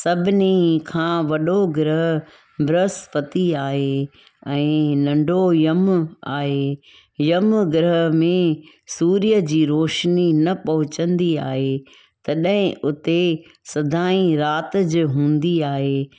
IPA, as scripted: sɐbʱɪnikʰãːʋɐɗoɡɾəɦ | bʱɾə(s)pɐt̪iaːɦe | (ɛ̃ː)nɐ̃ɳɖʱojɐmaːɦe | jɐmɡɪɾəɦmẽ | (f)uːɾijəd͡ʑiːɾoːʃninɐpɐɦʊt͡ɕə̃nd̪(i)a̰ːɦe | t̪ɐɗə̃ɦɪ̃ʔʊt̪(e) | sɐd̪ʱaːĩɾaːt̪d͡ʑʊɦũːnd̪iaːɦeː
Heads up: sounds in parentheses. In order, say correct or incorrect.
correct, correct, incorrect: s, correct, correct

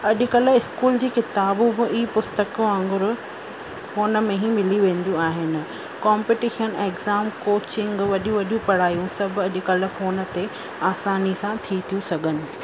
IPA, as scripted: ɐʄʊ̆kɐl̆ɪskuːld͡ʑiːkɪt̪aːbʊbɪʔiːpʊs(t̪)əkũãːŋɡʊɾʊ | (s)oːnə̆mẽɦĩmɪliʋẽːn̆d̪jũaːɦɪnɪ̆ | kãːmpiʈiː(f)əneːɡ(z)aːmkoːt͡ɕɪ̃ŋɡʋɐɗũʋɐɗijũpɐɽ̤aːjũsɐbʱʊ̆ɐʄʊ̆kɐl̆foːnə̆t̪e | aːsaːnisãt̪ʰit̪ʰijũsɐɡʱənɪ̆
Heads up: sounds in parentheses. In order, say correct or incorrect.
correct, incorrect: f, incorrect: ʃ, correct

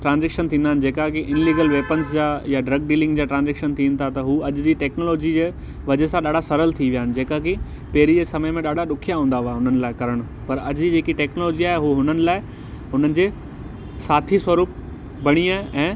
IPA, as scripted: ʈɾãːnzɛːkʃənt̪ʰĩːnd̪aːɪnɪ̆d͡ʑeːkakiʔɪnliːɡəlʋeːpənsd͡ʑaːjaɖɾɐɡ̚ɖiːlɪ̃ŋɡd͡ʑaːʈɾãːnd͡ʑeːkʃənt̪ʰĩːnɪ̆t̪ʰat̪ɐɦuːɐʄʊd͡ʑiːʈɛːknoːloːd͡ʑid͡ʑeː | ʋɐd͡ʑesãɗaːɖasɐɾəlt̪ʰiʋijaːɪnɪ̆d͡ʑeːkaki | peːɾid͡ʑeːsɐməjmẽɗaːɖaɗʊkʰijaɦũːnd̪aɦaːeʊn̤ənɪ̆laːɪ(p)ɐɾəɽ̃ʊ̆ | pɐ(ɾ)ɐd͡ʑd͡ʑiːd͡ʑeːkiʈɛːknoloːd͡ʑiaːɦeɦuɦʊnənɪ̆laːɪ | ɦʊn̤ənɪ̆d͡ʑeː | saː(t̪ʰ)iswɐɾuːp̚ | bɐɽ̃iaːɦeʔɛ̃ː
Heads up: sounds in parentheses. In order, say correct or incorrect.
incorrect: k, correct, correct

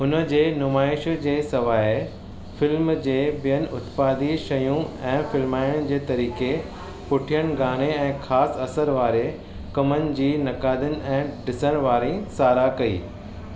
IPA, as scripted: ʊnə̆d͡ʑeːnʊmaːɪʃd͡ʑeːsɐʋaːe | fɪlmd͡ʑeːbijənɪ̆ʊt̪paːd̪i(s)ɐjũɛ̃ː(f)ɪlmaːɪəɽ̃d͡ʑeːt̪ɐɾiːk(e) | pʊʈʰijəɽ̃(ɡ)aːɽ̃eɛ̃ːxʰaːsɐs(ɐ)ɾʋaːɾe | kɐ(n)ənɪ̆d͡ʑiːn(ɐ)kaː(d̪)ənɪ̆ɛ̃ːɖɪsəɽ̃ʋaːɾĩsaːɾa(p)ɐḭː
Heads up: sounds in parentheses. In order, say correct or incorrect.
incorrect: ʃ, correct, correct, correct, incorrect: ə, incorrect: m, correct, correct, incorrect: k

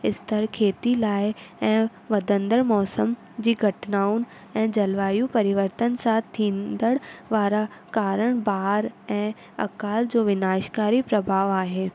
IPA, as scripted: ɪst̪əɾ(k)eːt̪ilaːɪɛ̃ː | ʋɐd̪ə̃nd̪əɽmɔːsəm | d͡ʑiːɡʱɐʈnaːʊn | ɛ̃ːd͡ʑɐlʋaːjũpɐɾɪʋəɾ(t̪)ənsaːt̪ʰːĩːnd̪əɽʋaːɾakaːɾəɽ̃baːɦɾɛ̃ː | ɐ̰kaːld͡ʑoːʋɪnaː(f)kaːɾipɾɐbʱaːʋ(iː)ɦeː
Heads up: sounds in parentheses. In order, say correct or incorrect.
incorrect: kʰ, correct, incorrect: ʃ, incorrect: aː

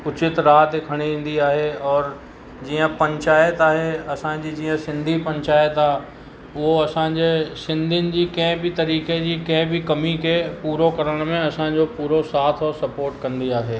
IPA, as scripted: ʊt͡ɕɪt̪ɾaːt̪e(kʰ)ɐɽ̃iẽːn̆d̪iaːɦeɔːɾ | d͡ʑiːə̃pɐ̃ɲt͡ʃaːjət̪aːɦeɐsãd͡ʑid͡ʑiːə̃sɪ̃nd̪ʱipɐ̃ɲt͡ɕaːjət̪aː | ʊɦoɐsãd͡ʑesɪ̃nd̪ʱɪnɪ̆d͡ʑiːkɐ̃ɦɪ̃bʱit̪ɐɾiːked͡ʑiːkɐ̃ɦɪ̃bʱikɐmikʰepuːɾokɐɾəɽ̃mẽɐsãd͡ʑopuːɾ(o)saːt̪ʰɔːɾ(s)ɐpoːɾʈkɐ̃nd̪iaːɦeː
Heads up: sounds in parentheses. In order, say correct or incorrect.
correct, correct, correct

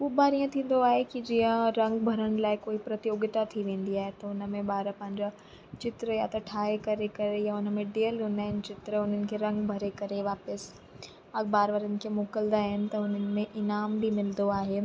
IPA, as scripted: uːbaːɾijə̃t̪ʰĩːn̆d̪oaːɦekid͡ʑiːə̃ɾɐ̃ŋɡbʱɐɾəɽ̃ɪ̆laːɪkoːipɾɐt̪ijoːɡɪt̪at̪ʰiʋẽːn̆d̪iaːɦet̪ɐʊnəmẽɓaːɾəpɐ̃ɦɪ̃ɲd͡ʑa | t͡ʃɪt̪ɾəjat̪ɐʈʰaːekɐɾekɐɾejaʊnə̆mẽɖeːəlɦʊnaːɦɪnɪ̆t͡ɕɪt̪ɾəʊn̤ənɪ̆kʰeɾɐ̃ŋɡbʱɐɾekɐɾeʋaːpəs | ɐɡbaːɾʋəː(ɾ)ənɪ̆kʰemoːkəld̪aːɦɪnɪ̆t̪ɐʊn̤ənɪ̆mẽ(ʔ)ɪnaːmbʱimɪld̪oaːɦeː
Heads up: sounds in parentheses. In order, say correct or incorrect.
correct, correct

